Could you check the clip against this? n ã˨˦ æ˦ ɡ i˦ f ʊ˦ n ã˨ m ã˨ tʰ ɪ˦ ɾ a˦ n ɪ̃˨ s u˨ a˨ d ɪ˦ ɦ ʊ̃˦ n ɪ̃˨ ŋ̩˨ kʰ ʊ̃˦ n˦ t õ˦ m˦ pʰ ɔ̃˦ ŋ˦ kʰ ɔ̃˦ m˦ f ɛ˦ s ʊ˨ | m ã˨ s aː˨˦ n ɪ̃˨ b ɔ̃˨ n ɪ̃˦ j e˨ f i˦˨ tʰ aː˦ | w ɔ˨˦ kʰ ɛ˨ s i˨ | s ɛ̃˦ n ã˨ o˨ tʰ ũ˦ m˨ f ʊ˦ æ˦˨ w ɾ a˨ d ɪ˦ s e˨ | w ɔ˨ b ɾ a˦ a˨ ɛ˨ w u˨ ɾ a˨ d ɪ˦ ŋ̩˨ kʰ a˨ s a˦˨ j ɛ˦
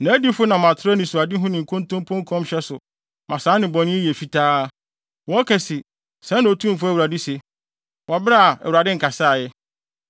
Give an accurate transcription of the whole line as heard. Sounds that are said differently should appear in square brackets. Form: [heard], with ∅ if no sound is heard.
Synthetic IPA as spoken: n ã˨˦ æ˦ [d] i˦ f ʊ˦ n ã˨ m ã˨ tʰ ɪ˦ ɾ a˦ n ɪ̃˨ s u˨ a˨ d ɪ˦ ɦ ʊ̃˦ n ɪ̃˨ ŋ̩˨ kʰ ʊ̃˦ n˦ t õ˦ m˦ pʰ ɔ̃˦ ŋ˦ kʰ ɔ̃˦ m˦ [ɕ] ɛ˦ s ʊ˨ | m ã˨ s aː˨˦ n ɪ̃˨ b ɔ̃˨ n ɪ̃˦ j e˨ f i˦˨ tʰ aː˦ | w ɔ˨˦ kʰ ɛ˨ s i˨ | s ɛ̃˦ n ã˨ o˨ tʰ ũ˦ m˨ f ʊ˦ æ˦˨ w ɾ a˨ d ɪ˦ s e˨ | w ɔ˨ b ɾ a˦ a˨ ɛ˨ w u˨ ɾ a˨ d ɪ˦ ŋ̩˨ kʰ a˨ s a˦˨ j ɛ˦

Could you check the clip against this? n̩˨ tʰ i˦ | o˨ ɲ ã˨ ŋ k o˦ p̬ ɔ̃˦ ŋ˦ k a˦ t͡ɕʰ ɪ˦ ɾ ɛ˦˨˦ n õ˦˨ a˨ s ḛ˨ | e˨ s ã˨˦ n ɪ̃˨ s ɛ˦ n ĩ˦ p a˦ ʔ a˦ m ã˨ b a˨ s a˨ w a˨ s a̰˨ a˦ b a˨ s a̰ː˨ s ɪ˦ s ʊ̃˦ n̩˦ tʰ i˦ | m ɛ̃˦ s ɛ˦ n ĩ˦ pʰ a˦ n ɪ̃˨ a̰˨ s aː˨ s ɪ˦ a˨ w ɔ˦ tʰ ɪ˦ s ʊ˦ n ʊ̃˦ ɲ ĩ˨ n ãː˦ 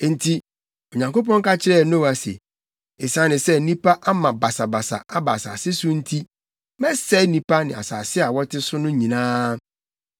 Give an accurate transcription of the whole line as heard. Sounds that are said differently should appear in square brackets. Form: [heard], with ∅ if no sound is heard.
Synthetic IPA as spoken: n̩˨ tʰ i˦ | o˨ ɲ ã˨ ŋ k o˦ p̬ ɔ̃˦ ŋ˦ k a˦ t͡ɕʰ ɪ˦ ɾ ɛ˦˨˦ n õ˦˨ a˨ s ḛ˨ | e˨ s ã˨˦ n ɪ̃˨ s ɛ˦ n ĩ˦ p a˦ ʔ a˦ m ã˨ b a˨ s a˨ [b] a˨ s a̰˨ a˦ b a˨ s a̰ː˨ s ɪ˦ s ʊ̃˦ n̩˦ tʰ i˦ | m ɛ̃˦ s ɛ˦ n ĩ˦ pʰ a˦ n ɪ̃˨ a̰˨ s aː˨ s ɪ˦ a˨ w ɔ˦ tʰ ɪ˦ s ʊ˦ n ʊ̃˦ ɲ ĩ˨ n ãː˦

